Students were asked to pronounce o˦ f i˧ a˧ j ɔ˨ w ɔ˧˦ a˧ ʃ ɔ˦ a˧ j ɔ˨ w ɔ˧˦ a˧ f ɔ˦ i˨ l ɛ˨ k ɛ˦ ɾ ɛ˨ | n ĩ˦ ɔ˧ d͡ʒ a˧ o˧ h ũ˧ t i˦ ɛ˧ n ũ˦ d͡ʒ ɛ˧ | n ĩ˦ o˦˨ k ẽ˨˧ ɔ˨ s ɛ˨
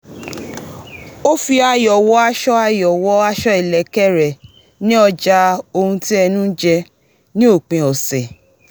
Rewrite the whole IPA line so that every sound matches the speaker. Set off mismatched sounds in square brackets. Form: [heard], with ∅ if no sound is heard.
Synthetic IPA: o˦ f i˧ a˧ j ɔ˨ w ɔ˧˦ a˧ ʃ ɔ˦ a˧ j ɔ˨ w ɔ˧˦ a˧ [ʃ] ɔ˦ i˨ l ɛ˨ k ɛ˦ ɾ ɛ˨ | n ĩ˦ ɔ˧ d͡ʒ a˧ o˧ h ũ˧ t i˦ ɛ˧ n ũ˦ d͡ʒ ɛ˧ | n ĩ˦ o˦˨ [k͡p] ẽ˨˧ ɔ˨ s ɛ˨